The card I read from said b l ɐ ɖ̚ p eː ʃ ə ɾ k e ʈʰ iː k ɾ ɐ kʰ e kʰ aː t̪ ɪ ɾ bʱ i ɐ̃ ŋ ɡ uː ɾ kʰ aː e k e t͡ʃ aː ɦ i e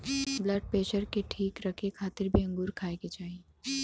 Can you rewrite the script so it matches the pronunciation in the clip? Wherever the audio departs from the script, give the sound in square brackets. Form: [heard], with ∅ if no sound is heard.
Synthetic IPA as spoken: b l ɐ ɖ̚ p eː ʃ ə ɾ k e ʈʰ iː k ɾ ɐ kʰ e kʰ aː t̪ ɪ ɾ bʱ i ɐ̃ ŋ ɡ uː ɾ kʰ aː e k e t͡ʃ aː ɦ i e